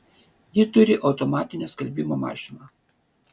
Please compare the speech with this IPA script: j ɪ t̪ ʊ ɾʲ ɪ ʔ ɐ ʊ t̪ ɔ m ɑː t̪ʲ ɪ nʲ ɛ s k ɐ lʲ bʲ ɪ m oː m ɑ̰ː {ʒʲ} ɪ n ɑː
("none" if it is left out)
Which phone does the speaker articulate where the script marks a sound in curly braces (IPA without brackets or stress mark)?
ʃʲ